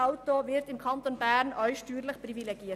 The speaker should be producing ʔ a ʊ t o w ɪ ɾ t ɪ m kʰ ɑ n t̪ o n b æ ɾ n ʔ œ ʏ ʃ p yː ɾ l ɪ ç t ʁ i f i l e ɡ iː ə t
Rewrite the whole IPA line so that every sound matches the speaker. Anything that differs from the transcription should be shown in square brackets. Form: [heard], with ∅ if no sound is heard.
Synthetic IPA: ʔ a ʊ t o [v] ɪ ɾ t ɪ m kʰ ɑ n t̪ o n b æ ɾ n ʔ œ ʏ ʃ [t] yː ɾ l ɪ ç [p] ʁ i [v] i l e ɡ iː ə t